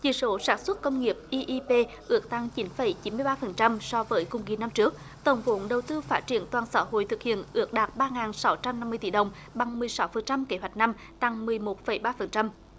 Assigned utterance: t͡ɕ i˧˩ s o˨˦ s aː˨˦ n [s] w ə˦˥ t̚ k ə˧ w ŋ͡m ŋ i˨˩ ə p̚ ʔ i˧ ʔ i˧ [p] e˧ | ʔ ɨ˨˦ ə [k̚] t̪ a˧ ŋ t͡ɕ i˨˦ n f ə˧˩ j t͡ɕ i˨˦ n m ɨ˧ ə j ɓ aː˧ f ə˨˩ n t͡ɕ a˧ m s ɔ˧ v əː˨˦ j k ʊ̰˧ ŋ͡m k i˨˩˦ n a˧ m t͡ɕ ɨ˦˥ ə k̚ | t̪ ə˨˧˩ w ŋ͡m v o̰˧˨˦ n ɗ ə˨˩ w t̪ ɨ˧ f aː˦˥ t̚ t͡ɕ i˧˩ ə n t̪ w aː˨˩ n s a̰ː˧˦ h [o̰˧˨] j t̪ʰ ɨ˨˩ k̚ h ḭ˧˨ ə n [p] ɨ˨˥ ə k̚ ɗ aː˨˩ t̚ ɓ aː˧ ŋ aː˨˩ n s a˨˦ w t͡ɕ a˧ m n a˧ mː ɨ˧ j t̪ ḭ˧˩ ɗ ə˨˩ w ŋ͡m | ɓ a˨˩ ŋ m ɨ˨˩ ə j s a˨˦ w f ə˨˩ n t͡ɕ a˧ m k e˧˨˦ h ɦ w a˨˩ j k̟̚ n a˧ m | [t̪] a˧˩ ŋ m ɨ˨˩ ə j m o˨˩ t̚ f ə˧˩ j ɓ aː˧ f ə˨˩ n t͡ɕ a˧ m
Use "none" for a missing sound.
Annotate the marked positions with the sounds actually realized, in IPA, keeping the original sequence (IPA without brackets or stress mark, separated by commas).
s, p, k̚, o̰˧˨, ʔ, t̪